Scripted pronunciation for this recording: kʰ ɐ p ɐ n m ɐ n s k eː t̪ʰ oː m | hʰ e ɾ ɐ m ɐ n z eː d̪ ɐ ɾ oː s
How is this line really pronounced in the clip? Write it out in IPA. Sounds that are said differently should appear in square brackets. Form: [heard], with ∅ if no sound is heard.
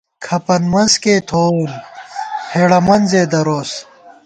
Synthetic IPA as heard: kʰ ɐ p ɐ n m ɐ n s k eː t̪ʰ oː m | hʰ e [ɽ] ɐ m ɐ n z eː d̪ ɐ ɾ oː s